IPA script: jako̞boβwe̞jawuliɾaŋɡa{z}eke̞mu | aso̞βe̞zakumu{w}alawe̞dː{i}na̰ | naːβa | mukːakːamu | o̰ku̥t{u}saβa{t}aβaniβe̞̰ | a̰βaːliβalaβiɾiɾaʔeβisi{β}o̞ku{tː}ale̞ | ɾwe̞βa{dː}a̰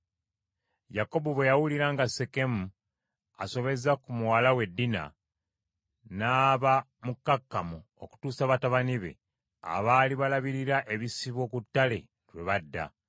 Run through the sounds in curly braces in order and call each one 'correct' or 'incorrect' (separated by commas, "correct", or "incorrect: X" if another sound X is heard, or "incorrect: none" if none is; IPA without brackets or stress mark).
incorrect: s, correct, correct, incorrect: uː, correct, correct, correct, correct